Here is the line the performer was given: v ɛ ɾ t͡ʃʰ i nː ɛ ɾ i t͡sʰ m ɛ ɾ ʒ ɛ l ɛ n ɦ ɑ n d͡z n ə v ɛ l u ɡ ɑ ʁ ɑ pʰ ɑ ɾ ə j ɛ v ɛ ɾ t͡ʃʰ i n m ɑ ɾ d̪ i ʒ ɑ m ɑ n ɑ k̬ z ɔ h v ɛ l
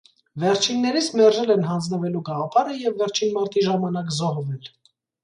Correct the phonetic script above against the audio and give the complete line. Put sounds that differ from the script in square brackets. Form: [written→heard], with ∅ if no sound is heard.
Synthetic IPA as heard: v ɛ ɾ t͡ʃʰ i nː ɛ ɾ i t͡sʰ m ɛ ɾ ʒ ɛ l ɛ n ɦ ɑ n d͡z n ə v ɛ l u ɡ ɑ ʁ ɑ pʰ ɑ ɾ ə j ɛ [v→vː] ɛ ɾ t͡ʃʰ i n m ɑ ɾ [d̪→t̪] i ʒ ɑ m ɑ n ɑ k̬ z ɔ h v ɛ l